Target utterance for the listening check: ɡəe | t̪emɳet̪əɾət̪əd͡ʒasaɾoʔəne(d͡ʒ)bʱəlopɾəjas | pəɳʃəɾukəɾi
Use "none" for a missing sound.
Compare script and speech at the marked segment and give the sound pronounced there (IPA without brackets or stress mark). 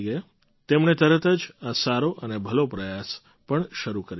none